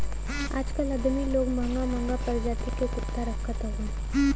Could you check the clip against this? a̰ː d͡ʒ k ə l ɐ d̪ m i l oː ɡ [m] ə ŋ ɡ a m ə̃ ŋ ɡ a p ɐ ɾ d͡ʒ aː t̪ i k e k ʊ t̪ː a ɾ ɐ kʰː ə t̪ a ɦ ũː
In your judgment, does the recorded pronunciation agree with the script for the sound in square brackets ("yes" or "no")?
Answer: yes